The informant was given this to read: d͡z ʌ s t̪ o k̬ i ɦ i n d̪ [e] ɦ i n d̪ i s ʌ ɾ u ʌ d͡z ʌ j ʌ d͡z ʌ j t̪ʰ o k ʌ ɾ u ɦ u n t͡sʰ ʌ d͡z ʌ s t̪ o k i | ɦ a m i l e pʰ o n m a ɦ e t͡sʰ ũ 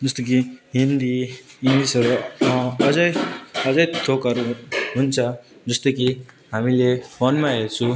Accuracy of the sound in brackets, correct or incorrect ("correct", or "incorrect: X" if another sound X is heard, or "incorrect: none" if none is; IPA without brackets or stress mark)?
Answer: incorrect: i